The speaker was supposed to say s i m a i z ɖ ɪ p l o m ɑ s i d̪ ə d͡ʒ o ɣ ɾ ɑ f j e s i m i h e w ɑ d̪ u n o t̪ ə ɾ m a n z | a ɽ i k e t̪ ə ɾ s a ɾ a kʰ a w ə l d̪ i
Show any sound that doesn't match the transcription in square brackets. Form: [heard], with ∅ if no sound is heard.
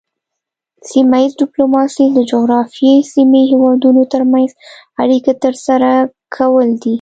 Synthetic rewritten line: s i m a i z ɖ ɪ p l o m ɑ s i d̪ ə d͡ʒ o ɣ ɾ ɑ f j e s i m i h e w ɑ d̪ u n o t̪ ə ɾ m a n z | a ɽ i k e t̪ ə ɾ s a ɾ a kʰ a w ə l d̪ i